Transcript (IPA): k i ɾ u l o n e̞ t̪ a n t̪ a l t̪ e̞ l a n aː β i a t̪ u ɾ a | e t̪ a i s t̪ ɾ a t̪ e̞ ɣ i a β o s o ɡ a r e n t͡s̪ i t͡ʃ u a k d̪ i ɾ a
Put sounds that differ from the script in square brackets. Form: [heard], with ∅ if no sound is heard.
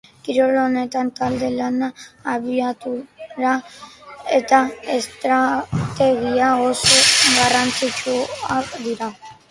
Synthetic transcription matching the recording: k i ɾ [o] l o n e̞ t̪ a n t̪ a l [d̪] e̞ l a n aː β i a t̪ u ɾ a | e t̪ a [e] s t̪ ɾ a t̪ e̞ ɣ i a [∅] o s o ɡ a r [a] n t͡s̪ i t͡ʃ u a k d̪ i ɾ a